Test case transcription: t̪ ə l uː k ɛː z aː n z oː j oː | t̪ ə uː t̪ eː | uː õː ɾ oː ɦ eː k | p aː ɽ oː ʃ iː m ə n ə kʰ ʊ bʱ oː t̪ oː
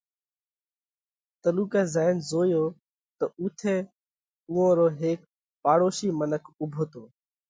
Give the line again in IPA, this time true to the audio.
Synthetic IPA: t̪ ə l uː k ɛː z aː n z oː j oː | t̪ ə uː t̪ʰ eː | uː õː ɾ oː ɦ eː k | p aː ɽ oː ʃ iː m ə n ə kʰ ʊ bʱ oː t̪ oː